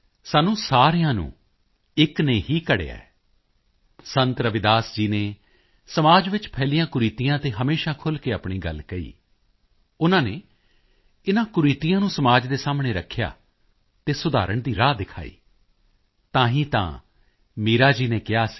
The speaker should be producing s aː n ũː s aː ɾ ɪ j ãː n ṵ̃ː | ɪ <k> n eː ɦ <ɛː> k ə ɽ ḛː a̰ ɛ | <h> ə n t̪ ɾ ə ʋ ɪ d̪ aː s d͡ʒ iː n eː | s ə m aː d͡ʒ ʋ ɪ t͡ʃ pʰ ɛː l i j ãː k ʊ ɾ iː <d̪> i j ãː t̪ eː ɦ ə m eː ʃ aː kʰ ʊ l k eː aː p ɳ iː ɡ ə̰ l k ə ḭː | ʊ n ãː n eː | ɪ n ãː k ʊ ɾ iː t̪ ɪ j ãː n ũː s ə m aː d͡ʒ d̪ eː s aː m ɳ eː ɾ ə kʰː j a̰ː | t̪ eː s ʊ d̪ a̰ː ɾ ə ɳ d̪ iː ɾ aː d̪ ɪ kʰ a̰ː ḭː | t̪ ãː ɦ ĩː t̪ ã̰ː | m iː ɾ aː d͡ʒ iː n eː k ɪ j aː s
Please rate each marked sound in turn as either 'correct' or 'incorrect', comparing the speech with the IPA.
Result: correct, incorrect, incorrect, incorrect

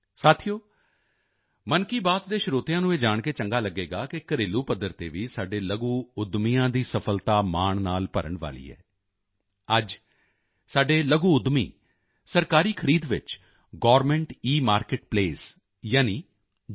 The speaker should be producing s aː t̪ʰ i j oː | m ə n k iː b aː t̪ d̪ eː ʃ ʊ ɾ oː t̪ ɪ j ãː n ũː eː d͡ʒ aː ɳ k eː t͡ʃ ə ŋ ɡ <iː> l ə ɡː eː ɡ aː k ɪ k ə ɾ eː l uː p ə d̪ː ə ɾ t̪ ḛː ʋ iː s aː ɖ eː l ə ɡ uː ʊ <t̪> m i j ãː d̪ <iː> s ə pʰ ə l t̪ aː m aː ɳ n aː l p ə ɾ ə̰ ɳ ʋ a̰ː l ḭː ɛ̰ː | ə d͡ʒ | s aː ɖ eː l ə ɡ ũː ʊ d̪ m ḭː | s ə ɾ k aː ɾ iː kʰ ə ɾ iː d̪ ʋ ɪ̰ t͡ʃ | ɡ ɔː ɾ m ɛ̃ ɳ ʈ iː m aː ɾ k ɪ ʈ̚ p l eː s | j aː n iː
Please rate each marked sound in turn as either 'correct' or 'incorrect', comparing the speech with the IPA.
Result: incorrect, incorrect, correct

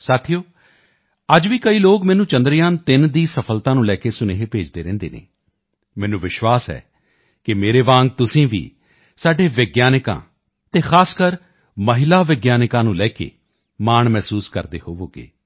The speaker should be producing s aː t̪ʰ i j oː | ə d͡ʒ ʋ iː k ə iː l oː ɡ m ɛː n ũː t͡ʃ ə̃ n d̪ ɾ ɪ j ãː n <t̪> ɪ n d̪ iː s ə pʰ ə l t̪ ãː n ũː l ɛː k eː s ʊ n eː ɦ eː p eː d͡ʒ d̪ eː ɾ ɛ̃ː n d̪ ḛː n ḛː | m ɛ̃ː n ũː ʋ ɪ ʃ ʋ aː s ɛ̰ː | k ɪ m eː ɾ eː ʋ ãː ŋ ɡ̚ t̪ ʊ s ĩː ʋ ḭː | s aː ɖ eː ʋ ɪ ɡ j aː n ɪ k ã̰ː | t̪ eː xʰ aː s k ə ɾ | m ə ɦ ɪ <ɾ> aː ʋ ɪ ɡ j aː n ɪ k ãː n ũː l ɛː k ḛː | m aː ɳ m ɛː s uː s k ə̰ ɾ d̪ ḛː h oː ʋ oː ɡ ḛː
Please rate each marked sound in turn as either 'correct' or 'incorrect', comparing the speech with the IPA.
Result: correct, incorrect

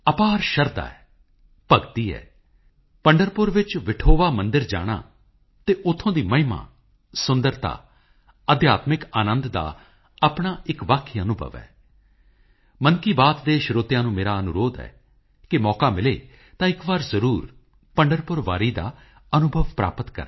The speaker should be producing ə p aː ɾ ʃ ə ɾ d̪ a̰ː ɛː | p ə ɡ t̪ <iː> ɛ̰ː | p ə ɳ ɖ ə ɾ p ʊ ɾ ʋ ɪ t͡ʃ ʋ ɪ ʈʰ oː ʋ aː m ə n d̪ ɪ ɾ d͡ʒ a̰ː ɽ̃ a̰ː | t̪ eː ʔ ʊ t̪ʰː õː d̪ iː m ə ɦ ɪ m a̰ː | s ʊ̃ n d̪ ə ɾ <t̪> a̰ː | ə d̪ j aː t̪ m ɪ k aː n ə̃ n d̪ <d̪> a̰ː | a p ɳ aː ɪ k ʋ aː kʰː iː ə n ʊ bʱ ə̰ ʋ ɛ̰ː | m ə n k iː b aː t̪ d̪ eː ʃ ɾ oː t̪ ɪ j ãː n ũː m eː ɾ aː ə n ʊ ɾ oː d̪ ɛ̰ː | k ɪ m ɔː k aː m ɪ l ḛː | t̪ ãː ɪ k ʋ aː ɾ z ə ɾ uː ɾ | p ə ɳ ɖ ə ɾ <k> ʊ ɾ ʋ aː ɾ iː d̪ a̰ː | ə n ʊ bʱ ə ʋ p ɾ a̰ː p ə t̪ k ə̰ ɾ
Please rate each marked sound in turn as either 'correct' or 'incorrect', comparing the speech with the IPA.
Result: correct, correct, correct, incorrect

